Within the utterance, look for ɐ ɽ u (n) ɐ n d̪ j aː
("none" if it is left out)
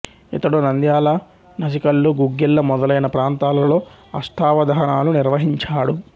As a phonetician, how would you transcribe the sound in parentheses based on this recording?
n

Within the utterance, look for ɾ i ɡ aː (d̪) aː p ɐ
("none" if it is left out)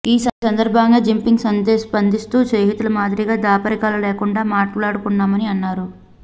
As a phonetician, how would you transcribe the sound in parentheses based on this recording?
d̪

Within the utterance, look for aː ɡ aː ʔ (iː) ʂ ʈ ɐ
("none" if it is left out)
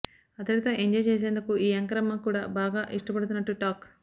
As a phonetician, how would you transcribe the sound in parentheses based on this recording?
i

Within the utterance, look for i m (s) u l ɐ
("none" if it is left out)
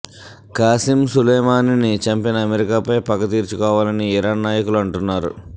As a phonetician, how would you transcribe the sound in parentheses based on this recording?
s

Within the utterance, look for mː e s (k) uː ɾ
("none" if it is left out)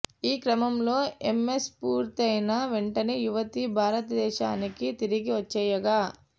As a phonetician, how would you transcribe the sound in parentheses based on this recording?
p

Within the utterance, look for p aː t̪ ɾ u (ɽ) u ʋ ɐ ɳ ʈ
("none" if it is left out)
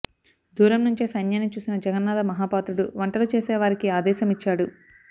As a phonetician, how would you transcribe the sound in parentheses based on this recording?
ɽ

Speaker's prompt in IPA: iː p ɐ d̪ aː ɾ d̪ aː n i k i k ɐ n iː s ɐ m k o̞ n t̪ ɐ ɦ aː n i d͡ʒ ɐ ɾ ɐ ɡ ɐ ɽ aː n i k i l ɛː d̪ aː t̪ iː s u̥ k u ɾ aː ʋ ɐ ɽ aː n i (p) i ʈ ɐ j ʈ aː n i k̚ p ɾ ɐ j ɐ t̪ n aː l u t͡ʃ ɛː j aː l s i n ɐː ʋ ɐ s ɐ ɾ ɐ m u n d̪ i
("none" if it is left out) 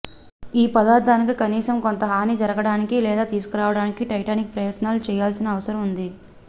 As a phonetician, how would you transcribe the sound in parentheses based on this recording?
k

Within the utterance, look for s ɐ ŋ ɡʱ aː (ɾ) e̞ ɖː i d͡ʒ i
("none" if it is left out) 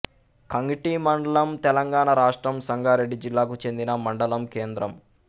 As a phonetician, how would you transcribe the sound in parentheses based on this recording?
ɾ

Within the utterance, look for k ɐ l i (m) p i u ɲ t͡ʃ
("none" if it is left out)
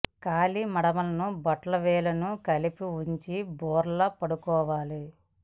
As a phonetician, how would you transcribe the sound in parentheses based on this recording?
none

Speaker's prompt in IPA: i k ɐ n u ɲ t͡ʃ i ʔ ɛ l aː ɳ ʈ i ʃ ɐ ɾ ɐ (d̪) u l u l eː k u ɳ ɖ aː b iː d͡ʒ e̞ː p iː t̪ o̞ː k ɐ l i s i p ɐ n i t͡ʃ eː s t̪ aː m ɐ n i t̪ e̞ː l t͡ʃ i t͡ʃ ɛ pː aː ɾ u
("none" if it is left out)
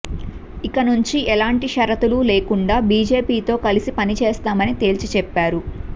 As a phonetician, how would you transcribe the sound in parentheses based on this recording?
t̪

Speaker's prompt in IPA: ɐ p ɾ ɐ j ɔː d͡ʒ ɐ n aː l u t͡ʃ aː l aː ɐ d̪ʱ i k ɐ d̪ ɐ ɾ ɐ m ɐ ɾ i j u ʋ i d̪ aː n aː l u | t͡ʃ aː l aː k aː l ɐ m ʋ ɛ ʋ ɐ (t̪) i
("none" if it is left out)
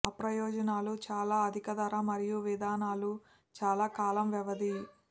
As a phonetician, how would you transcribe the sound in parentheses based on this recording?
d̪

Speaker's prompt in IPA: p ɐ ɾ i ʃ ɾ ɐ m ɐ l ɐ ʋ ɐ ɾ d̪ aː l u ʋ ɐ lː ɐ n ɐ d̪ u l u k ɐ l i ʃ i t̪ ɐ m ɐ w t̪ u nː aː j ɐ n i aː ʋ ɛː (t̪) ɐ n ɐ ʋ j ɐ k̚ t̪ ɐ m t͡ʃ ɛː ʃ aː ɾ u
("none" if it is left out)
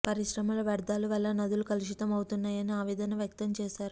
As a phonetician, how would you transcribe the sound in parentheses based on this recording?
d̪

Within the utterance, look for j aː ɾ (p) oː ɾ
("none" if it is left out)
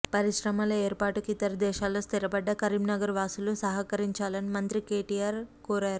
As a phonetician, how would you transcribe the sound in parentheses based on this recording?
k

